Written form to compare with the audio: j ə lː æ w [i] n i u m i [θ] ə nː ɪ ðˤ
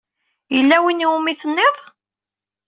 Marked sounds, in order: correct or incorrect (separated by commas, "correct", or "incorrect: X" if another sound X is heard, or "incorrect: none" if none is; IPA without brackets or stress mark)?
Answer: correct, correct